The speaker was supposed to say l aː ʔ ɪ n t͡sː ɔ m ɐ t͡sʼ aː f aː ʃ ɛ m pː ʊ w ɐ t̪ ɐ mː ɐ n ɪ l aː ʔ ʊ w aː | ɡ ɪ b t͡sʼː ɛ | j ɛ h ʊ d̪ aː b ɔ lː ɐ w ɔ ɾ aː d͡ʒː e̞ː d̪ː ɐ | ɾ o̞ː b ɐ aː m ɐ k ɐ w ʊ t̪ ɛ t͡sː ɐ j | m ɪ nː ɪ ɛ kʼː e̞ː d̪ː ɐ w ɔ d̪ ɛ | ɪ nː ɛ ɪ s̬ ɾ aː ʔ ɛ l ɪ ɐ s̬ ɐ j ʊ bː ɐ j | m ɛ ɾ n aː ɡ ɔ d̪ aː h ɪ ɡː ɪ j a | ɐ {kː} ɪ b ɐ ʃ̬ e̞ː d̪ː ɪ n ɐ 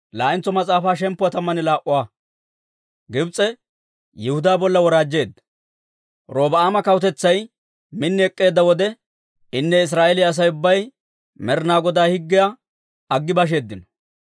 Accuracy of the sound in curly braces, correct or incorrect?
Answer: incorrect